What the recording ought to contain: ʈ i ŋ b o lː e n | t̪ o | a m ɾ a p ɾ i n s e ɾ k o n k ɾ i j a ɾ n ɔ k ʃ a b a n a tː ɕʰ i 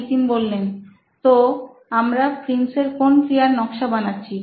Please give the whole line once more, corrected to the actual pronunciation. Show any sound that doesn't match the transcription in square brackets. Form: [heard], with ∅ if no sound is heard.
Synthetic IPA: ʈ i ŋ b o lː e n | t̪ o | a m ɾ a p ɾ i n s e ɾ k o n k ɾ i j a ɾ n ɔ k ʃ a b a n a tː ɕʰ i